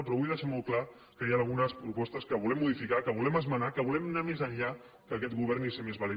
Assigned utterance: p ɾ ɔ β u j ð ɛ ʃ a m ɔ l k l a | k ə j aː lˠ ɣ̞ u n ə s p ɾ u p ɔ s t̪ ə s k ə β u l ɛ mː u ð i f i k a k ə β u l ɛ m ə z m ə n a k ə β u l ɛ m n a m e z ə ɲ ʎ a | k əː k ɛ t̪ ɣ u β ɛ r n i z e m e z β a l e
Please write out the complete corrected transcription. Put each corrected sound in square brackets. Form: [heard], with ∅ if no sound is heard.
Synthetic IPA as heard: p ɾ ɔ β u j ð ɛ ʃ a m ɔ l k l a | k ə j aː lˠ ɣ̞ u n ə s p ɾ u p ɔ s t̪ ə s k ə β u l ɛ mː u ð i f i k a k ə β u l ɛ m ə z m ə n a k ə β u l ɛ m n a m e z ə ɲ ʎ a | k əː k ɛ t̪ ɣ u β ɛ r n i [s] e m e z β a l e